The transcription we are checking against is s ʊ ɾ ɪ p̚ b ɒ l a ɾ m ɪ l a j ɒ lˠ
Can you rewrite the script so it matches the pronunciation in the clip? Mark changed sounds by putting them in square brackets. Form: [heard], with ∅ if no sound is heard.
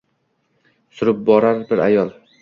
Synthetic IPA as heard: s ʊ ɾ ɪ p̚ b ɒ [ɾ] a ɾ [b] ɪ [ɾ] a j ɒ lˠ